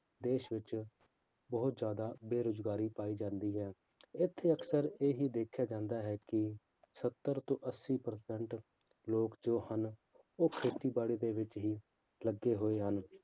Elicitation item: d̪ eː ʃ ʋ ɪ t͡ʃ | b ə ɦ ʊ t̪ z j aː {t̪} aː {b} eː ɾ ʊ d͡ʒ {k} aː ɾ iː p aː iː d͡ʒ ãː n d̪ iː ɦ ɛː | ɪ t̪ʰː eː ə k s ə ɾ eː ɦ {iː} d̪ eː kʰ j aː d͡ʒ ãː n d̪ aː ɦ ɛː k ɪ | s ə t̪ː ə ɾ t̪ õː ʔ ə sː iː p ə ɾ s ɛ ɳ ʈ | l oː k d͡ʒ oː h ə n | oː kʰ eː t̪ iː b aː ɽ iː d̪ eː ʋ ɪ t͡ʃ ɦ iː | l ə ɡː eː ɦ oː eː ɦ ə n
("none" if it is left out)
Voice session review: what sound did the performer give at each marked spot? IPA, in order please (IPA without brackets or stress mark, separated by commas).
d̪, b, ɡ, iː